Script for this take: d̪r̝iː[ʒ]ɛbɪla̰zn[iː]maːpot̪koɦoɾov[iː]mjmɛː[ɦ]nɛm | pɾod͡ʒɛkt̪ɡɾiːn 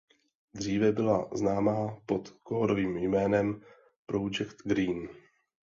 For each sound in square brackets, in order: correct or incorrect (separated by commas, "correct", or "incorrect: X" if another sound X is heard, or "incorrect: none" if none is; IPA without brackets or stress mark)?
incorrect: v, incorrect: aː, correct, incorrect: none